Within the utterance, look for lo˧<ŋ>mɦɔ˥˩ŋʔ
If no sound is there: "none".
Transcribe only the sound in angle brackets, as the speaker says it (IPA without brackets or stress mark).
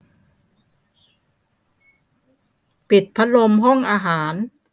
none